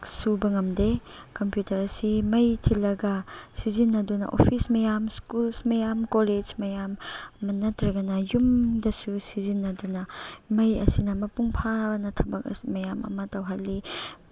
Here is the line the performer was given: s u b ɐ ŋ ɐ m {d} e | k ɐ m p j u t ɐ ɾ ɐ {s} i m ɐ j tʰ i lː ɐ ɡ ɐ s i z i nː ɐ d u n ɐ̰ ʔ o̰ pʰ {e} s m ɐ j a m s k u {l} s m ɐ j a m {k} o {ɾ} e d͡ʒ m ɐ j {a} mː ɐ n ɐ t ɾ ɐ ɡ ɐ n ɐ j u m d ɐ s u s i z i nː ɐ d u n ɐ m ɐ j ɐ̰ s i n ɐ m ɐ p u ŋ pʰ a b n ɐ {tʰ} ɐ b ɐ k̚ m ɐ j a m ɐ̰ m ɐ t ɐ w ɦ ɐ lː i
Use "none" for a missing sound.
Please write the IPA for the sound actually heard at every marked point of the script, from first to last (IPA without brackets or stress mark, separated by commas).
d, s, i, l, k, l, a, tʰ